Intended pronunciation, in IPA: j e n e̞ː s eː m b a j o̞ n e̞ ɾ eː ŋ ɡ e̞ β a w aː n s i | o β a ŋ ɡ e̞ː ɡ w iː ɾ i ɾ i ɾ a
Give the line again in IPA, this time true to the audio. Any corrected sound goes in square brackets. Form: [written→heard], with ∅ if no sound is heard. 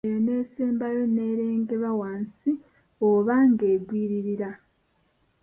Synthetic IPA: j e n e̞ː s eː m b a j o̞ n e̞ ɾ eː ŋ ɡ e̞ β a w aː n s i | o β a ŋ ɡ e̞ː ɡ w iː ɾ i ɾ i ɾ a